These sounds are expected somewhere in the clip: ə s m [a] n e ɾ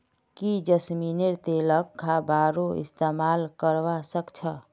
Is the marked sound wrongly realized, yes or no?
yes